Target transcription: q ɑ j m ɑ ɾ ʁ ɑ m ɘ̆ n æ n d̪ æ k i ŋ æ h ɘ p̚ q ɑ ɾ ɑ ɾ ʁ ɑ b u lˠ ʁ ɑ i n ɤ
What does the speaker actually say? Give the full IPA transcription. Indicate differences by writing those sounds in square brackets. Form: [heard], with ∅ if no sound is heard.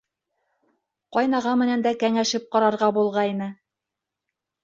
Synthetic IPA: q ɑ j [n] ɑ [∅] ʁ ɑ m ɘ̆ n æ n d̪ æ k [æ] ŋ æ [ʃ] ɘ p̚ q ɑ ɾ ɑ ɾ ʁ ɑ b u lˠ ʁ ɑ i n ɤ